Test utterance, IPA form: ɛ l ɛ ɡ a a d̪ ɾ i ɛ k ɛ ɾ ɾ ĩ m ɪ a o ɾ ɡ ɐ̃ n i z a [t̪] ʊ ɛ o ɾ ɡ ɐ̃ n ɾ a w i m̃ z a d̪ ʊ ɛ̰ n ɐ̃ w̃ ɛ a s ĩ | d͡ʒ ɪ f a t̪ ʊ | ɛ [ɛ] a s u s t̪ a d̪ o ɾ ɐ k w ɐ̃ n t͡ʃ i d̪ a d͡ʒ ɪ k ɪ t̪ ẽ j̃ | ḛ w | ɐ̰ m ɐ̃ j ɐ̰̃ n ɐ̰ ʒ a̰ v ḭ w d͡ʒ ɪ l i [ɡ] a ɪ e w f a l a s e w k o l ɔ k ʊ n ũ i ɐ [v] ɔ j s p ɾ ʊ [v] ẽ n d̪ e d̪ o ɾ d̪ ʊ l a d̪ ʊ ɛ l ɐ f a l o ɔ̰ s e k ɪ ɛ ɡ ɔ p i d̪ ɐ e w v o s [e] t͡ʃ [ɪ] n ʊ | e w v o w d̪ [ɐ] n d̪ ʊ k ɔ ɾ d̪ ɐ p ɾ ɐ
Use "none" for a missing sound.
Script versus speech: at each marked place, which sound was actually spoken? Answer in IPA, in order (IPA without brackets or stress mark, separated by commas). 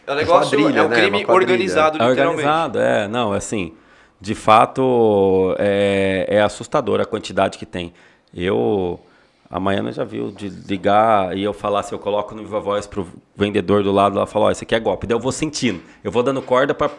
d̪, ɛ, ɡ, v, v, ẽ, i, ɐ̃